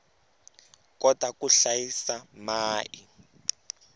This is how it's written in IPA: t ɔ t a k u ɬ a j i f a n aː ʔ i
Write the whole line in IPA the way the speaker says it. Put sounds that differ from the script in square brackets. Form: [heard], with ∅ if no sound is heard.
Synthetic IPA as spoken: [k] ɔ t a k u ɬ a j i [s] a [m] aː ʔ i